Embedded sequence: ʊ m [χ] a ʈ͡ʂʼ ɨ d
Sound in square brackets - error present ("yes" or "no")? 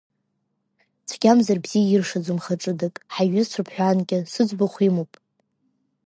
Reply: no